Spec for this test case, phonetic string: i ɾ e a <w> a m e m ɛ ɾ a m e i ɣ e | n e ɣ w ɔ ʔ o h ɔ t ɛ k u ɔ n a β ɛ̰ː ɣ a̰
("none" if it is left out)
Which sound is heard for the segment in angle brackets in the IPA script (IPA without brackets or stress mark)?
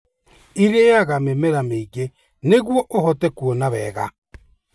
ɣ